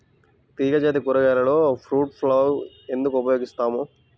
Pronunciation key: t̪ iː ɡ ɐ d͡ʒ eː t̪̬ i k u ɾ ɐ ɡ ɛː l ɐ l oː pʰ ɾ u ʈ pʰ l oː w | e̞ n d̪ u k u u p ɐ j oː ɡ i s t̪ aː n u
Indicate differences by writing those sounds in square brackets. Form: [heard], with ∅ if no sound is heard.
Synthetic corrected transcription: t̪ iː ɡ ɐ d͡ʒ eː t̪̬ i k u ɾ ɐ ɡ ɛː l ɐ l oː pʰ ɾ [uː] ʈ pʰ l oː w | e̞ n d̪ u k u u p ɐ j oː ɡ i s t̪ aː [m] u